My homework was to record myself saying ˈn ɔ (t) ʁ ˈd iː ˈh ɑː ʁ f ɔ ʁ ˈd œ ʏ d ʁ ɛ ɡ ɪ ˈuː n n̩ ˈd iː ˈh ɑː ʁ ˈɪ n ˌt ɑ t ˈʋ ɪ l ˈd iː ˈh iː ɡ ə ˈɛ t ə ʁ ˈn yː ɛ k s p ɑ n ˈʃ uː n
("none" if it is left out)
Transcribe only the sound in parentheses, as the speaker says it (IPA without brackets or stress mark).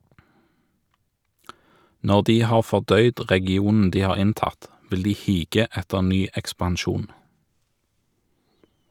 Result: none